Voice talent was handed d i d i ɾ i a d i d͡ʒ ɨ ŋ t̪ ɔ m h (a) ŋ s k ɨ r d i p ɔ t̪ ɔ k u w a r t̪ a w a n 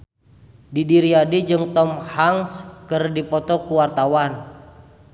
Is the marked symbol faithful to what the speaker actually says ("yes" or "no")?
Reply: yes